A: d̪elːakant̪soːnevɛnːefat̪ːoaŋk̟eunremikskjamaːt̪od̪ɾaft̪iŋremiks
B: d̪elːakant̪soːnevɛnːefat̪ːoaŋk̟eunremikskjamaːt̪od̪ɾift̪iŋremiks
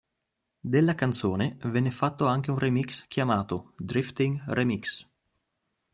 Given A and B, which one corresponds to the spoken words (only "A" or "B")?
B